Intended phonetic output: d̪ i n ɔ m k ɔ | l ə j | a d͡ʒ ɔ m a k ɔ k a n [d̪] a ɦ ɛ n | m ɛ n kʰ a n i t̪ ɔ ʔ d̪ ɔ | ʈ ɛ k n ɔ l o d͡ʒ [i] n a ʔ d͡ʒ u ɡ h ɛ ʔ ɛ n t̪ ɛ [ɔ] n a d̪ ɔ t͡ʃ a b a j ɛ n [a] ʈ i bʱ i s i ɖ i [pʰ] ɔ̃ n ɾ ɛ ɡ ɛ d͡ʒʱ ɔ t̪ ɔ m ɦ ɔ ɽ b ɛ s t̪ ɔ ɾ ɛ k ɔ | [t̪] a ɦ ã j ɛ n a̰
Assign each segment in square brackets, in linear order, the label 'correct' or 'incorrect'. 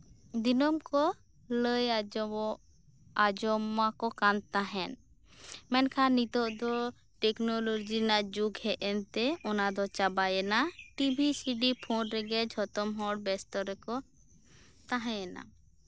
incorrect: t̪, correct, correct, correct, correct, correct

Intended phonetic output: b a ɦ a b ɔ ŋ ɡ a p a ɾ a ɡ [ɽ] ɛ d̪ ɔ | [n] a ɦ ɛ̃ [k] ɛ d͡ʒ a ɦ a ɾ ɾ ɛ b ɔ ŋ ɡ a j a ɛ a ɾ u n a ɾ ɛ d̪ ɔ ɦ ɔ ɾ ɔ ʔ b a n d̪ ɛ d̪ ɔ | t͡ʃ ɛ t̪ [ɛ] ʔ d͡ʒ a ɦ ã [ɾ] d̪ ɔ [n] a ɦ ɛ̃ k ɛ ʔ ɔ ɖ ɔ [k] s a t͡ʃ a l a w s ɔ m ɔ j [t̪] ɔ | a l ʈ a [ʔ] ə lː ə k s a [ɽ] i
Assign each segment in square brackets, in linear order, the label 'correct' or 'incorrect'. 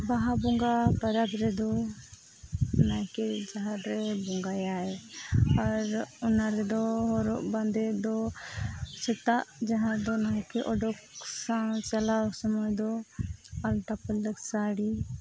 incorrect: ɾ, correct, correct, incorrect: a, correct, correct, correct, incorrect: d̪, incorrect: p, correct

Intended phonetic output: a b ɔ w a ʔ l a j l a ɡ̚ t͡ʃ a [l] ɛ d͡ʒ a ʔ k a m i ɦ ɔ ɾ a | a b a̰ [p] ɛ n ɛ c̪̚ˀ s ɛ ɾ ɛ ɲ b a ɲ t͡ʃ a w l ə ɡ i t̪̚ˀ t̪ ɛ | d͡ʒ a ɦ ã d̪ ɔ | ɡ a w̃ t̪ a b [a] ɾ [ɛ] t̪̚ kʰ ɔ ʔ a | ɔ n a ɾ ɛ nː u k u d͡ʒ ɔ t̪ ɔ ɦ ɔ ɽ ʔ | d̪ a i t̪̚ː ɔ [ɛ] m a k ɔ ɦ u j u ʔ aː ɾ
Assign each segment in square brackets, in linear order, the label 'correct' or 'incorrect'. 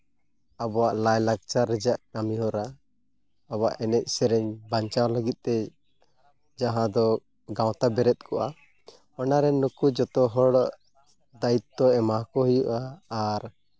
incorrect: ɾ, incorrect: ʔ, incorrect: ɛ, correct, correct

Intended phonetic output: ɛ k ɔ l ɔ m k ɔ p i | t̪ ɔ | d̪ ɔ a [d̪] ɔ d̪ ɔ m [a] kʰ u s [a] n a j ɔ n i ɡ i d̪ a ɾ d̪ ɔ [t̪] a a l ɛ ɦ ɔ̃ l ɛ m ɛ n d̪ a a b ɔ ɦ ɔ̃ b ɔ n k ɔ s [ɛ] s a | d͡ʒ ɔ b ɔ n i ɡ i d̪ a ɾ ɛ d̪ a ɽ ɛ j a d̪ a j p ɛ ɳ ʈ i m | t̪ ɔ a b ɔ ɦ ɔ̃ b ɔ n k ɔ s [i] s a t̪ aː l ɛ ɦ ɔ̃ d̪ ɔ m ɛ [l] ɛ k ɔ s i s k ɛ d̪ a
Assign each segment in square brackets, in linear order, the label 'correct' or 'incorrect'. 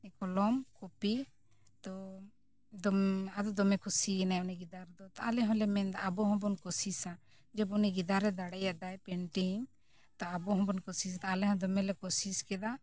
correct, incorrect: ɛ, incorrect: i, correct, incorrect: i, correct, correct

